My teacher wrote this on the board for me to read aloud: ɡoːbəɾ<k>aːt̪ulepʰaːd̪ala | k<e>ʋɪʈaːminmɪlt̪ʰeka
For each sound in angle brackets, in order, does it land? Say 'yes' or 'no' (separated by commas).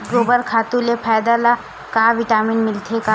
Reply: no, no